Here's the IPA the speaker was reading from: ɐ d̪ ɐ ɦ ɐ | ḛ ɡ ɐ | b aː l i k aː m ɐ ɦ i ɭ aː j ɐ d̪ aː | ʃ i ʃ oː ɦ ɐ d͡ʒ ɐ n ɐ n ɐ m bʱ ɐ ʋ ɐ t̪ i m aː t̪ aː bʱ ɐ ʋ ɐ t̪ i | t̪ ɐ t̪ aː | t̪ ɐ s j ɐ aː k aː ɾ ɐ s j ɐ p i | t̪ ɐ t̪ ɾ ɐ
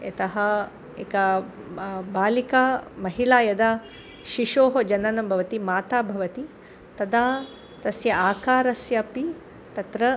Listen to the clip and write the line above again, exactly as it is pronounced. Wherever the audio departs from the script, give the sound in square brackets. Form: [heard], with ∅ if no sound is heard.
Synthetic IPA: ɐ [t̪] ɐ ɦ ɐ | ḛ [k] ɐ | b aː l i k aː m ɐ ɦ i ɭ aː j ɐ d̪ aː | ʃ i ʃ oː ɦ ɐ d͡ʒ ɐ n ɐ n ɐ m bʱ ɐ ʋ ɐ t̪ i m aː t̪ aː bʱ ɐ ʋ ɐ t̪ i | t̪ ɐ [d̪] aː | t̪ ɐ s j ɐ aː k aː ɾ ɐ s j ɐ p i | t̪ ɐ t̪ ɾ ɐ